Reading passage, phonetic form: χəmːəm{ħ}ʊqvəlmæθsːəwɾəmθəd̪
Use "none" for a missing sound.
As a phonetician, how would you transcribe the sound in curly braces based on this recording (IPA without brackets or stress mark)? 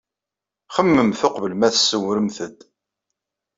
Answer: θ